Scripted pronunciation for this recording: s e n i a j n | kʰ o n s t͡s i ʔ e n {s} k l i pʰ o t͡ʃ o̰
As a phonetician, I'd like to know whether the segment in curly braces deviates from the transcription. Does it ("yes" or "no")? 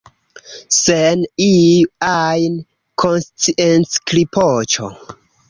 no